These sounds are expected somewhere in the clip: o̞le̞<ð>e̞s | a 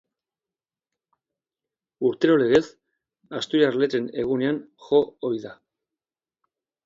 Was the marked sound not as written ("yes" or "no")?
yes